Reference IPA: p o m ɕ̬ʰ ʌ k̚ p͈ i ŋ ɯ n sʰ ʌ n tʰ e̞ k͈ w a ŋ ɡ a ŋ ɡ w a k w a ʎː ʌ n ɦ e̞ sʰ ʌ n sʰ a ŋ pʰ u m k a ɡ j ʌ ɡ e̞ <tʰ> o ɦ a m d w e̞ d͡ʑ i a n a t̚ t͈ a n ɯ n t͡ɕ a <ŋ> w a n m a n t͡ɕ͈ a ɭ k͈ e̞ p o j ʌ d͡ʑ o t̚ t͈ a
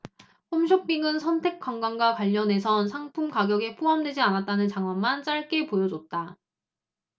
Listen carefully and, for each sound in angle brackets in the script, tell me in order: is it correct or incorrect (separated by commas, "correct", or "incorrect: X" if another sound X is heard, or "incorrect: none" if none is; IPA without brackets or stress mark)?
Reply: incorrect: pʰ, correct